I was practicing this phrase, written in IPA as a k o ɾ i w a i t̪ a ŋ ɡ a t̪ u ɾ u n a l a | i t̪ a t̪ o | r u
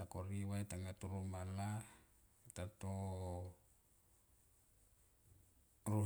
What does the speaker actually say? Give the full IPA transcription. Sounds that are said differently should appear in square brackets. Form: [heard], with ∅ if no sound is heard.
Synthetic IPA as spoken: a k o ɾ i w a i t̪ a ŋ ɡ a t̪ u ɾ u [m] a l a | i t̪ a t̪ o | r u